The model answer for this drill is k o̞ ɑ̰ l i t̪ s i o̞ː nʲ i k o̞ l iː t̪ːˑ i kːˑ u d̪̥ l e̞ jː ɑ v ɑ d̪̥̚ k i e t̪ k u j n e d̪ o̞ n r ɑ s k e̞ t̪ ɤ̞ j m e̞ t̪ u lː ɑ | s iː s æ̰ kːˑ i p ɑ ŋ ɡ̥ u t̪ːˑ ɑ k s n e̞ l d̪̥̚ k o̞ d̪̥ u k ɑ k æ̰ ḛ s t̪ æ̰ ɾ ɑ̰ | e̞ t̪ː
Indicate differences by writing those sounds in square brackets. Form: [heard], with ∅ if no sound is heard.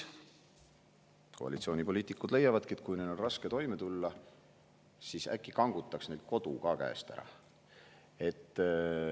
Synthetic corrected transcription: k o̞ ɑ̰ l i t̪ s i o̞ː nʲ i [p] o̞ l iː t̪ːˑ i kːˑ u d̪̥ l e̞ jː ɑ v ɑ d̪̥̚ k i e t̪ k u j n e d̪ o̞ n r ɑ s k e̞ t̪ [o̞] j m e̞ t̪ u lː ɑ | s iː s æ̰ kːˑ i [k] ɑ ŋ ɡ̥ u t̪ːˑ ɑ k s n e̞ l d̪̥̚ k o̞ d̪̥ u k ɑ k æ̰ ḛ s t̪ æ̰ ɾ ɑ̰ | e̞ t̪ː

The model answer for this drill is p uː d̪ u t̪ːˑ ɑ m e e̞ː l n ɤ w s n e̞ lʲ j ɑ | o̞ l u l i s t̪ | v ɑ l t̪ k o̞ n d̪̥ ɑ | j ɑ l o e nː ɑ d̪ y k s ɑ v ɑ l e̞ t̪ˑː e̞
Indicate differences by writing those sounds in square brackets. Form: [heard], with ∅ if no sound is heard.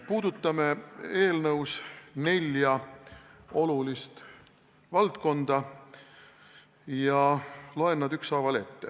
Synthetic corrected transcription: p uː d̪ u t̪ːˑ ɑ m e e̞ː l n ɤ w s n e̞ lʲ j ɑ | o̞ l u l i s t̪ | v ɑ l t̪ k o̞ n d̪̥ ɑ | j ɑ l o e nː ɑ d̪ y k s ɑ v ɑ l e̞ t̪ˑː e̞

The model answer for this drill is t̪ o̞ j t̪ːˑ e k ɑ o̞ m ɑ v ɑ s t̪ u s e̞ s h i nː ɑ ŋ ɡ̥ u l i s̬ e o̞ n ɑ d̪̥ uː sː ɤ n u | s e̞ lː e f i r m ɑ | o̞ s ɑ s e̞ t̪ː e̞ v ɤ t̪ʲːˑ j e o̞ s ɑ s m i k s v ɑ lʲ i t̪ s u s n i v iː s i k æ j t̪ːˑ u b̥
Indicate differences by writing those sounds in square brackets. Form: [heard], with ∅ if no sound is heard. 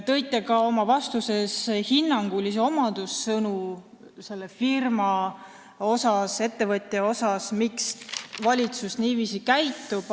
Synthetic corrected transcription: t̪ [ɤ̞] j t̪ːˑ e k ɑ o̞ m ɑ v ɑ s t̪ u s e̞ s h i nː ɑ ŋ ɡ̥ u l i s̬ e o̞ [m] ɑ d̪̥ [u] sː ɤ n u | s e̞ lː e f i r m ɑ | o̞ s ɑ s e̞ t̪ː e̞ v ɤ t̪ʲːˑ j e o̞ s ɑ s m i k s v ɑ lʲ i t̪ s u s n [iː] v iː s i k æ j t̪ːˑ u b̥

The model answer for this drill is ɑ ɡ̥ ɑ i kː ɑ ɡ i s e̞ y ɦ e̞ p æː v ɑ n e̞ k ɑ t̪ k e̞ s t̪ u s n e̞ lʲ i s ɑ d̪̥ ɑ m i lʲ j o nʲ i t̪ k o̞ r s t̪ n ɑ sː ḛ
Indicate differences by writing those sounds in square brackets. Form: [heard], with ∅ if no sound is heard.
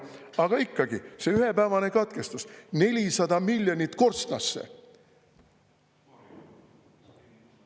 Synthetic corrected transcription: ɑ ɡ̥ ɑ i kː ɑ ɡ i s e̞ y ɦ e̞ p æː v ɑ n e̞ k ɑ t̪ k e̞ s t̪ u s n e̞ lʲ i s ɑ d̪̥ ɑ m i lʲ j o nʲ i t̪ k o̞ r s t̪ n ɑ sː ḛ

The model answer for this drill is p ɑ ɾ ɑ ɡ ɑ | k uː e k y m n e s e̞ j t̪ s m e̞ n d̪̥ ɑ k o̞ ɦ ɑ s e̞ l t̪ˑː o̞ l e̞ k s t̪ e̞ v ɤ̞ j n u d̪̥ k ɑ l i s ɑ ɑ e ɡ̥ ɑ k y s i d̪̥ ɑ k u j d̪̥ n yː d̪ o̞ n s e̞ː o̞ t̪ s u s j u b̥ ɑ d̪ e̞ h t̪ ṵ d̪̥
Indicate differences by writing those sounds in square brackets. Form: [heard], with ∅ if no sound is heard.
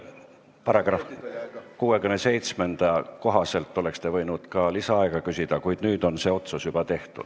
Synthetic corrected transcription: p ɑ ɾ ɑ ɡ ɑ | k uː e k y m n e s e̞ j t̪ s m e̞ n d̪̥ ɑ k o̞ ɦ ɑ s e̞ l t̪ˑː o̞ l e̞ k s t̪ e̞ v ɤ̞ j n u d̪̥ k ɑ l i s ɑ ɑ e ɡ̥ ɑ k y s i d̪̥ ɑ k u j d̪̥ n yː d̪ o̞ n s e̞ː o̞ t̪ s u s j u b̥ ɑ [t̪] e̞ h t̪ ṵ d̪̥

